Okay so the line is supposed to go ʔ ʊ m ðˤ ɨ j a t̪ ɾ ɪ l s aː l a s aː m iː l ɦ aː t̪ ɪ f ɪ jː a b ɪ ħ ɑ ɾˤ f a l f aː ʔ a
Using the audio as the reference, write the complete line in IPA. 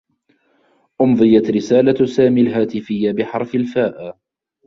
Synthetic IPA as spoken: ʔ ʊ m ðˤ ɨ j a t̪ ɾ ɪ s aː l a s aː m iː l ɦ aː t̪ ɪ f ɪ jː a b ɪ ħ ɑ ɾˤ f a l f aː ʔ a

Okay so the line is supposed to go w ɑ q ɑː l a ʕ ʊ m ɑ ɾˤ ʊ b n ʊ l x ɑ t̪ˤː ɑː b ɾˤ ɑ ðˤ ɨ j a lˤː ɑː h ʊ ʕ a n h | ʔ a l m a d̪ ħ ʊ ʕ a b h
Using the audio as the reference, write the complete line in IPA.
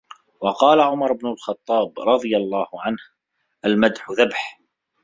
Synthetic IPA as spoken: w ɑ q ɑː l a ʕ ʊ m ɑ ɾˤ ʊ b n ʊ l x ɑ t̪ˤː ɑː b ɾˤ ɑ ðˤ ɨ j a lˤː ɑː h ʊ ʕ a n h | ʔ a l m a d̪ ħ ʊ ð a b ħ

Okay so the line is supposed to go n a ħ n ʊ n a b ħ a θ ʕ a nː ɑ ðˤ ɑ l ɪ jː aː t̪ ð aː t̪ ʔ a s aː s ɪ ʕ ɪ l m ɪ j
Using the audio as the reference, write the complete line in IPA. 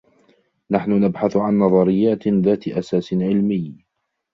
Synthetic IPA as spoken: n a ħ n ʊ n a b ħ a θ ʕ a nː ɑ ðˤ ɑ ɾ ɪ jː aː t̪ ð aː t̪ ʔ a s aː s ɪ ʕ ɪ l m ɪ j

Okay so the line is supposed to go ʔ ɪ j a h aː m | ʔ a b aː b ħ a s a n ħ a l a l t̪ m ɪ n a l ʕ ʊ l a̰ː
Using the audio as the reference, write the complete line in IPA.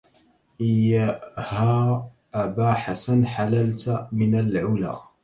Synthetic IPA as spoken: ʔ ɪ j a h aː | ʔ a b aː ħ a s a n ħ a l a l t̪ m ɪ n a l ʕ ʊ l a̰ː

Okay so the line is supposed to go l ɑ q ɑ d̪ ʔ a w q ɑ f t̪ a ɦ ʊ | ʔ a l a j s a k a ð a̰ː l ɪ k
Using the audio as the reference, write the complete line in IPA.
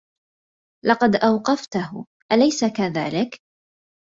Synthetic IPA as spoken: l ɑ q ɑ d̪ ʔ a w q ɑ f t̪ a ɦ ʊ | ʔ a l a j s a k a ð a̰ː l ɪ k

